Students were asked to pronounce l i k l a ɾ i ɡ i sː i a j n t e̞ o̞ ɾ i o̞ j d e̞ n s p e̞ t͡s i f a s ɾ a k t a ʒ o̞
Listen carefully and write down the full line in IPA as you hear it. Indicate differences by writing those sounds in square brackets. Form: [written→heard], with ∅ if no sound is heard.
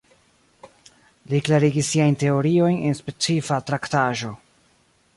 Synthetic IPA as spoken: l i k l a ɾ i ɡ i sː i a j n t e̞ o̞ ɾ i o̞ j [d→n] e̞ n s p e̞ t͡s i f a [s→t] ɾ a k t a ʒ o̞